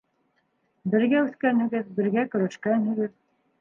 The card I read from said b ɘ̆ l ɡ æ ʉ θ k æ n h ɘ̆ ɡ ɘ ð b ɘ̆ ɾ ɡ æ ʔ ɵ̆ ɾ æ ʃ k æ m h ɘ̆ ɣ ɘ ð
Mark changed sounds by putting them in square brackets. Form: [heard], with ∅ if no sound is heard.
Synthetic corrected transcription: b ɘ̆ [ɾ] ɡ æ ʉ θ k æ n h ɘ̆ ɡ ɘ ð b ɘ̆ ɾ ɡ æ [k] ɵ̆ ɾ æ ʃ k æ [n] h ɘ̆ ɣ ɘ ð